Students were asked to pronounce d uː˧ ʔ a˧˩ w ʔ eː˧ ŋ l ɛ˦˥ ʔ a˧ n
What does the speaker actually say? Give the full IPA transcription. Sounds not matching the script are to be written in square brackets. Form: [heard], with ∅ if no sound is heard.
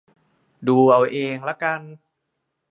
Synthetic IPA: d uː˧ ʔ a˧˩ w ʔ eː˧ ŋ l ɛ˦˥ [k] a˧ n

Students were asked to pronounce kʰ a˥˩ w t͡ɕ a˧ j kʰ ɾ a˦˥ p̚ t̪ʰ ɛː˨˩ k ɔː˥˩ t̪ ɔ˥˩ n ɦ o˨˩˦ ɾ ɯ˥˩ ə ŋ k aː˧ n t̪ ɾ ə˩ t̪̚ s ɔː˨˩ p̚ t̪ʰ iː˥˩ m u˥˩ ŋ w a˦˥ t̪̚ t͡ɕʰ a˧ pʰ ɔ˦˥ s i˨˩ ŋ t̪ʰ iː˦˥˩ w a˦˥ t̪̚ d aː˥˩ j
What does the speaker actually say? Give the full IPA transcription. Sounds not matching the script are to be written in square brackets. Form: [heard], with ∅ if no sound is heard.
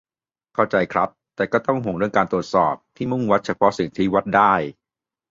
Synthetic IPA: kʰ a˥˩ w t͡ɕ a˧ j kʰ ɾ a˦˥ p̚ [t̪] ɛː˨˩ k ɔː˥˩ t̪ ɔ˥˩ [ŋ] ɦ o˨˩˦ ɾ ɯ˥˩ ə ŋ k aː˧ n t̪ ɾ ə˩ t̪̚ s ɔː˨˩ p̚ t̪ʰ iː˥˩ m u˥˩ ŋ w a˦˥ t̪̚ t͡ɕʰ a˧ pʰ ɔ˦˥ s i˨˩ ŋ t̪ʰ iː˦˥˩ w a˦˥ t̪̚ d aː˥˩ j

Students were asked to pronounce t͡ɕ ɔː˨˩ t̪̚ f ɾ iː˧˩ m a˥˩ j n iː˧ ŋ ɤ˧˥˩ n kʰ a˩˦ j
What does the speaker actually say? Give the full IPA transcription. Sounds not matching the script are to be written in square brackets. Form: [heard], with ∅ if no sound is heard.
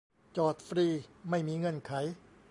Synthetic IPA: t͡ɕ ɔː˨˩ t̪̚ f ɾ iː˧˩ m a˥˩ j [m] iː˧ ŋ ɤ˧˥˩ n kʰ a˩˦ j

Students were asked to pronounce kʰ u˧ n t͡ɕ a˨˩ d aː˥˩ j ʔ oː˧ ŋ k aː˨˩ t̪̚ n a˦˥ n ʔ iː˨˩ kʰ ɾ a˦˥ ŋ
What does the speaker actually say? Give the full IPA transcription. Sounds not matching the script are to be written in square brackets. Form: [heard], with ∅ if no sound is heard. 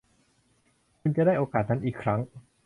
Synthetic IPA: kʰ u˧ n t͡ɕ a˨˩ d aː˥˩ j ʔ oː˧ [∅] k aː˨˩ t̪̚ n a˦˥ n ʔ iː˨˩ kʰ ɾ a˦˥ ŋ

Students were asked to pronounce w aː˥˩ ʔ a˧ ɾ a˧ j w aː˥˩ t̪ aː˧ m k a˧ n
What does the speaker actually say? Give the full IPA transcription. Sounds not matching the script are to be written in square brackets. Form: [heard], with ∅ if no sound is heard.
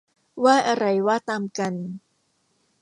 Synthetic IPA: w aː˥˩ ʔ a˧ ɾ a˧ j w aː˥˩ t̪ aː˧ m k a˧ n

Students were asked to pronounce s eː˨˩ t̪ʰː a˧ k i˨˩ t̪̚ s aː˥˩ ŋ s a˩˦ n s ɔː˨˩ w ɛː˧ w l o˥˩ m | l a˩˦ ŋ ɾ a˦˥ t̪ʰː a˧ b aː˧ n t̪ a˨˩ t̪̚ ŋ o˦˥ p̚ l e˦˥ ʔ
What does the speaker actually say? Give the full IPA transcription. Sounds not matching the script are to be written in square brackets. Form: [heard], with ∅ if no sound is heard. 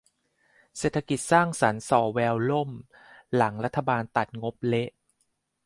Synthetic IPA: s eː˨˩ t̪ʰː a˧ k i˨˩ t̪̚ s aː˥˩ ŋ s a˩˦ n s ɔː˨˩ w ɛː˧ w l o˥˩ m | l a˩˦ ŋ ɾ a˦˥ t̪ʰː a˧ b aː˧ n t̪ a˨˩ t̪̚ ŋ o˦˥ p̚ l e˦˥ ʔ

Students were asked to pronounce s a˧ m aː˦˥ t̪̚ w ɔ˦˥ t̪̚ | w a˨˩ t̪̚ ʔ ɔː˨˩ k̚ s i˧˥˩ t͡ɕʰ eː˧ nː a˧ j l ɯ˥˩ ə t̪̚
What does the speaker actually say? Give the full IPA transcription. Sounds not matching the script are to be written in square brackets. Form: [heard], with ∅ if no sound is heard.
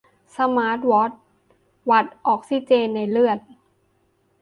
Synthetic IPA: s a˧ m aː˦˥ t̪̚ w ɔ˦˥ t̪̚ | w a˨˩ t̪̚ ʔ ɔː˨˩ k̚ s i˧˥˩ [t͡ɕ] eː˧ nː a˧ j l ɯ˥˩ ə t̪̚

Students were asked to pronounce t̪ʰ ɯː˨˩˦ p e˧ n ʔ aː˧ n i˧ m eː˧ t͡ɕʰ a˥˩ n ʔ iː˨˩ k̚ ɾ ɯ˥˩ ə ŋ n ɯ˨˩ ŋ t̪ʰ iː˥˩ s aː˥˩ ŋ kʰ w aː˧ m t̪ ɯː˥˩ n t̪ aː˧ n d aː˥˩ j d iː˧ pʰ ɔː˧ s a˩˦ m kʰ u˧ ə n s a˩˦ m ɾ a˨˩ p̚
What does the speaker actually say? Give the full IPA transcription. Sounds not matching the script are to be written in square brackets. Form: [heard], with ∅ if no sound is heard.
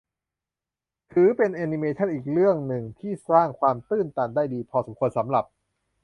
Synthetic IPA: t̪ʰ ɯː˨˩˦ p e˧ n ʔ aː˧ n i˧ m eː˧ t͡ɕʰ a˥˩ n ʔ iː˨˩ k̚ ɾ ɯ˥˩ ə ŋ n ɯ˨˩ ŋ t̪ʰ iː˥˩ s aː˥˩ ŋ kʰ w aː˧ m t̪ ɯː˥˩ n t̪ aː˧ n d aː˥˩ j d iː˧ pʰ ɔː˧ s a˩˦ m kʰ u˧ ə n s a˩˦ m ɾ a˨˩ p̚

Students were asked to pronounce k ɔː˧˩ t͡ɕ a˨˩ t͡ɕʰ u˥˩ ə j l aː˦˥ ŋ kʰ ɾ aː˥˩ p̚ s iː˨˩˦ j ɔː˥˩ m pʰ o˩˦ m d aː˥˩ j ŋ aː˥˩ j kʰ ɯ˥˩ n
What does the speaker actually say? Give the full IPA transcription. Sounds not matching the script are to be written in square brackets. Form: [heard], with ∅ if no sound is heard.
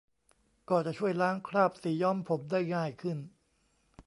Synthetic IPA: k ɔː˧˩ t͡ɕ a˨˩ t͡ɕʰ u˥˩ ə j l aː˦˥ ŋ kʰ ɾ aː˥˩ p̚ s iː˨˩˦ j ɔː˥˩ m pʰ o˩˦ m d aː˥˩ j ŋ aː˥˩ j kʰ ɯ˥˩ n

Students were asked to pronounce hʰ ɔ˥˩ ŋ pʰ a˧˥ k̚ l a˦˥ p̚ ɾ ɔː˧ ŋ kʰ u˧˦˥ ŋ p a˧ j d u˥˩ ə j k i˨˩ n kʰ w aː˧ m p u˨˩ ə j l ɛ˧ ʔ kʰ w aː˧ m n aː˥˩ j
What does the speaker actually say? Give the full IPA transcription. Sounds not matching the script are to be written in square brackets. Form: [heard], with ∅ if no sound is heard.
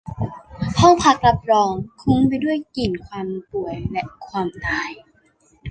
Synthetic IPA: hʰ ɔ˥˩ ŋ pʰ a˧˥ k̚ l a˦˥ p̚ ɾ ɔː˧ ŋ kʰ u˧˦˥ ŋ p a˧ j d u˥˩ ə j k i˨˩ n kʰ w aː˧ m p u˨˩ ə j l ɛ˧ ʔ kʰ w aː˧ m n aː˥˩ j

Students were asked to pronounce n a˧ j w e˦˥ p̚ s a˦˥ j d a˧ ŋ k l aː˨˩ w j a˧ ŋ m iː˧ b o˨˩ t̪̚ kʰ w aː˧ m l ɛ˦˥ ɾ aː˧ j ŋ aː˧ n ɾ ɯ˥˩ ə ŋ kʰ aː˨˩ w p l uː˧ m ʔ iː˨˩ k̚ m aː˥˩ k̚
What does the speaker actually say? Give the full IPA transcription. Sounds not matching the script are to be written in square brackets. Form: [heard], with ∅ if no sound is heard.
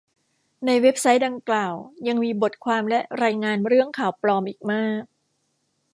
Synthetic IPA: n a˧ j w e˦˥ p̚ s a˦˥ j d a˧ ŋ k l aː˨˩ w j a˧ ŋ m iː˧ b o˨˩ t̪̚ kʰ w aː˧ m l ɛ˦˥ ɾ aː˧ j ŋ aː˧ n ɾ ɯ˥˩ ə ŋ kʰ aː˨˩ w p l [ɔː˧] m ʔ iː˨˩ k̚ m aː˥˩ k̚

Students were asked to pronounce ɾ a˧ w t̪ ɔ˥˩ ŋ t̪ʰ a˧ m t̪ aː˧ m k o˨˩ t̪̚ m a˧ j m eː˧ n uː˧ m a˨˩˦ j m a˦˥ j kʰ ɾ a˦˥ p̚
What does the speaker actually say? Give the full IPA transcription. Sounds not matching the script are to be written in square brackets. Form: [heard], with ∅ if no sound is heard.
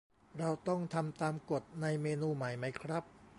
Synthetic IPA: ɾ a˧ w t̪ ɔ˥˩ ŋ t̪ʰ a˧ m t̪ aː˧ m k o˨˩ t̪̚ [n] a˧ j m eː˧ n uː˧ m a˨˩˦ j m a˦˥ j kʰ ɾ a˦˥ p̚

